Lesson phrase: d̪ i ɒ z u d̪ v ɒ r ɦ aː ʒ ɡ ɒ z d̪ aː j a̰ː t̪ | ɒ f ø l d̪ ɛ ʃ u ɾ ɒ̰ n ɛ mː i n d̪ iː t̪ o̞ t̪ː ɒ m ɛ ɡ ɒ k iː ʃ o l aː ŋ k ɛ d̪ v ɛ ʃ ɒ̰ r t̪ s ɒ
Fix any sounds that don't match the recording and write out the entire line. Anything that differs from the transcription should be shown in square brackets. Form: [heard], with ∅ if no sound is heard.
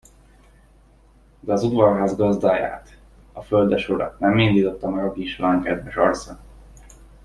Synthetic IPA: d̪ [ɛ] ɒ z u d̪ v ɒ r ɦ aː [z] ɡ ɒ z d̪ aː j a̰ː t̪ | ɒ f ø l d̪ ɛ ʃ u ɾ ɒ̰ n ɛ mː i n d̪ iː t̪ o̞ t̪ː ɒ m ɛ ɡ ɒ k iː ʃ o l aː ŋ k ɛ d̪ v ɛ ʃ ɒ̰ r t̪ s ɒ